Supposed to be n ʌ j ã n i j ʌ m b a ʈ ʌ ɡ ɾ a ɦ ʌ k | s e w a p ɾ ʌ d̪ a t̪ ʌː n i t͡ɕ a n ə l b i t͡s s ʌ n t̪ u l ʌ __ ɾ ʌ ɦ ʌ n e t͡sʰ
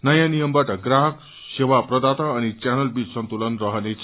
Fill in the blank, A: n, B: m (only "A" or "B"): A